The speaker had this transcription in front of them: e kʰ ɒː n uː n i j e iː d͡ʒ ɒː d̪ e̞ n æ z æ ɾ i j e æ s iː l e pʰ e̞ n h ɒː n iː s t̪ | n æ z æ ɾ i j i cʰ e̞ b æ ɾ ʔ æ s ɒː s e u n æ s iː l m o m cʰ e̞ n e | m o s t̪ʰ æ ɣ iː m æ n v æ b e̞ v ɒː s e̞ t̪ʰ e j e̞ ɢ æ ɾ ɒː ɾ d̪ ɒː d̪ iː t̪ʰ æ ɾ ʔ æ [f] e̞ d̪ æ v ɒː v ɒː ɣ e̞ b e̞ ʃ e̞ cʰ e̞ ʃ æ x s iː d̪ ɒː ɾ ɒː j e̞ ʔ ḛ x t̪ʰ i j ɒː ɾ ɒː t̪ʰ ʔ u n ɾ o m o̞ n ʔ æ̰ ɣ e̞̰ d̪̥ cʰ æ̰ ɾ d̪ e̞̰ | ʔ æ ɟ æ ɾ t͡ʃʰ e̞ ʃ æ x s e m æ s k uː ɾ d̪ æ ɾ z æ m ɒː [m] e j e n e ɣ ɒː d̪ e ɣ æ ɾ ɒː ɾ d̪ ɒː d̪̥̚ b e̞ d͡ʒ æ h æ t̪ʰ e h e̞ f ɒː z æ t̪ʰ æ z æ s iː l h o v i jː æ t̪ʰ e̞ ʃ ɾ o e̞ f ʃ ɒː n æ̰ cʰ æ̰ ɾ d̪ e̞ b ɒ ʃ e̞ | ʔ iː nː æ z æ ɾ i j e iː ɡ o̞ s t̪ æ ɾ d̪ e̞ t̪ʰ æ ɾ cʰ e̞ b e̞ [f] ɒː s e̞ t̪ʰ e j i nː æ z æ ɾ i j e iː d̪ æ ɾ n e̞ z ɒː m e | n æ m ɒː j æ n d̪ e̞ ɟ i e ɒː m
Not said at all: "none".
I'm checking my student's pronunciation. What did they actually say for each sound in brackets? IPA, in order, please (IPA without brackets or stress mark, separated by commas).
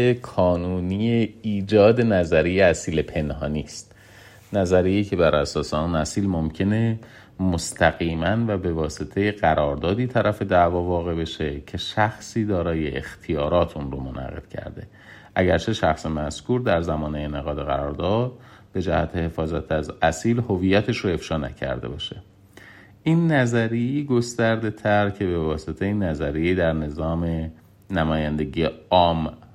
f, n, v